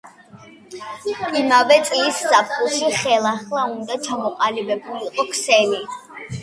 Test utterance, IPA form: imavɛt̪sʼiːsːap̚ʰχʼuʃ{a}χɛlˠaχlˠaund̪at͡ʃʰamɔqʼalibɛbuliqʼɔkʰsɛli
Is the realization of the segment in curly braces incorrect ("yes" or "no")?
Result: yes